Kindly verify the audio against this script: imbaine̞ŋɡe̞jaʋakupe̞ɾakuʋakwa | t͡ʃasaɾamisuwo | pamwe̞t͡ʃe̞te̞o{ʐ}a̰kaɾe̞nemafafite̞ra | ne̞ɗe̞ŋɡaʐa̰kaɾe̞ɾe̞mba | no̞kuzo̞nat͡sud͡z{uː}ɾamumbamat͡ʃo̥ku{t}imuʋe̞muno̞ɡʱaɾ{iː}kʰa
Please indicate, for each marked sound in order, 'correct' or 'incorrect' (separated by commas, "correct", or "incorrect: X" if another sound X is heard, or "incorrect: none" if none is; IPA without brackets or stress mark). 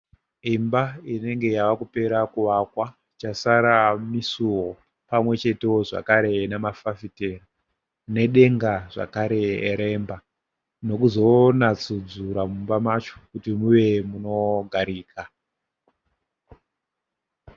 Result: correct, incorrect: u, correct, correct